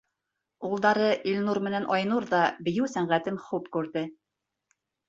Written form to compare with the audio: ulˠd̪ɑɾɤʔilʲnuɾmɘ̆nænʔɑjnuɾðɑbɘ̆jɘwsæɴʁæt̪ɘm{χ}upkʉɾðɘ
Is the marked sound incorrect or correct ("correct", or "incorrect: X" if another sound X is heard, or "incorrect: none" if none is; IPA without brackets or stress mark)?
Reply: correct